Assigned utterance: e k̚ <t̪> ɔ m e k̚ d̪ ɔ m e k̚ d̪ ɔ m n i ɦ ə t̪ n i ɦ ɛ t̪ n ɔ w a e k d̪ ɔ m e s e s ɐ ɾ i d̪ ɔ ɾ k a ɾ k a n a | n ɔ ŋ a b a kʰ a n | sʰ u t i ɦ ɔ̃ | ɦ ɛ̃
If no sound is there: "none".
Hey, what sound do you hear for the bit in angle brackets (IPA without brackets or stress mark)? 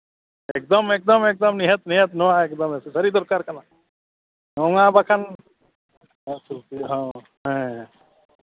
d̪